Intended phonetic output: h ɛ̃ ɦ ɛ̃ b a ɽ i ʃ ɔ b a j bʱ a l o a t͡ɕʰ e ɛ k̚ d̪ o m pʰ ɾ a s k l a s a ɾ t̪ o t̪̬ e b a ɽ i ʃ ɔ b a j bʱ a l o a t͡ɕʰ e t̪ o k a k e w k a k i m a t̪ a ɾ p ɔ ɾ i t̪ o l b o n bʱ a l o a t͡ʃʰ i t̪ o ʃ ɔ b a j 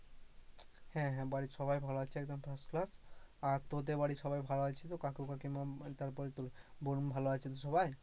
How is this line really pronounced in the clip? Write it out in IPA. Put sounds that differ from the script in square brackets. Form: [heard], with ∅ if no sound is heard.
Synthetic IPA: h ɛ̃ ɦ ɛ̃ b a ɽ i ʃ ɔ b a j bʱ a l o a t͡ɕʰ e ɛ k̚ d̪ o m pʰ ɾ a s k l a s a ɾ t̪ o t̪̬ e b a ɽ i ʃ ɔ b a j bʱ a l o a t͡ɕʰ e t̪ o k a k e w k a k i m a t̪ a ɾ p ɔ ɾ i t̪ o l b o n bʱ a l o a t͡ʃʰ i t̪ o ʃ ɔ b a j